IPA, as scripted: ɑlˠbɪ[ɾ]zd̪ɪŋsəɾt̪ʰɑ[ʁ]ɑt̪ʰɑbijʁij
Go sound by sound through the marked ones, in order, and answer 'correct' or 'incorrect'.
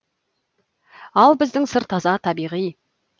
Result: incorrect, incorrect

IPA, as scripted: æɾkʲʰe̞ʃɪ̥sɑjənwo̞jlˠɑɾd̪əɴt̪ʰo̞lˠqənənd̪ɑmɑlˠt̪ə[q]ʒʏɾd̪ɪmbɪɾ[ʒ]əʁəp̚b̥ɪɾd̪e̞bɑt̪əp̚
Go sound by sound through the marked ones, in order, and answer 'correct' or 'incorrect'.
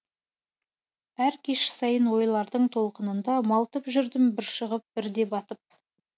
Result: incorrect, incorrect

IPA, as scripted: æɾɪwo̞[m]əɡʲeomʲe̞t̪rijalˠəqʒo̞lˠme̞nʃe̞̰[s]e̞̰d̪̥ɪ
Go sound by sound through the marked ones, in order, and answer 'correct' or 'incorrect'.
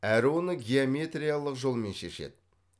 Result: incorrect, incorrect

